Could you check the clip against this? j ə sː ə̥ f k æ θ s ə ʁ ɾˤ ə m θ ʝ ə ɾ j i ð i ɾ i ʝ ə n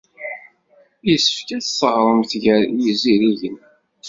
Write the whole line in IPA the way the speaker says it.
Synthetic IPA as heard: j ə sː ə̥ f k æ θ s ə ʁ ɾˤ ə m θ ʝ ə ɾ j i z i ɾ i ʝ ə n